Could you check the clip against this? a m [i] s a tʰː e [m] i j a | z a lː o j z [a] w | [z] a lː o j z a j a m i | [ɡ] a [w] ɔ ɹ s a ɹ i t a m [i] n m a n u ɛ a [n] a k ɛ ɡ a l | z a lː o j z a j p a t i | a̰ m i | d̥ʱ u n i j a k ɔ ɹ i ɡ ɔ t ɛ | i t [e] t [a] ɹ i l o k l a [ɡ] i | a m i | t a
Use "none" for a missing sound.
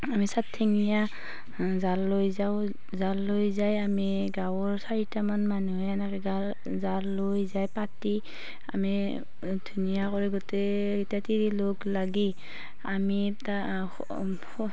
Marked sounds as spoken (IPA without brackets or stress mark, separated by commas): i, ŋ, a, z, ɡ, w, a, n, a, i, ɡ